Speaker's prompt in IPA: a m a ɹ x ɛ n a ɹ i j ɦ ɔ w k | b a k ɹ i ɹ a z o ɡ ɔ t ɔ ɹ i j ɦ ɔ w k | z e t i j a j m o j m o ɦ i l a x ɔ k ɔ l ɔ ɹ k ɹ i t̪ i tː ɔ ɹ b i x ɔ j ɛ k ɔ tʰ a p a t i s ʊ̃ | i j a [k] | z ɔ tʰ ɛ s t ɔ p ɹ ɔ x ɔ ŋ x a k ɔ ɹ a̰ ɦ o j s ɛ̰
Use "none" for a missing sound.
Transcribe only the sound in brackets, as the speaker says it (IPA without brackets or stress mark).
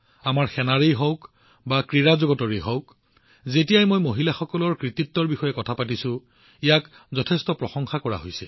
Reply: k